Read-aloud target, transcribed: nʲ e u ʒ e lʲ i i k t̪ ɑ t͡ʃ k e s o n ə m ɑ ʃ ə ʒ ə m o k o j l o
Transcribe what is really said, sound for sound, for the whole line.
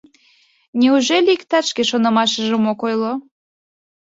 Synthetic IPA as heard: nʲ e u ʒ e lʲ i i k t̪ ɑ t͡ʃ k e ʃ o n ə m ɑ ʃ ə ʒ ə m o k o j l o